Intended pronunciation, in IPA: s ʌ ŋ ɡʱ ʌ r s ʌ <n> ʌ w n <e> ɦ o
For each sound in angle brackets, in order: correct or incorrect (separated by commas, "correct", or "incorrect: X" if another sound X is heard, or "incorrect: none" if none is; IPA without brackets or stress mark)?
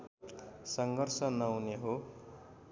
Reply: correct, correct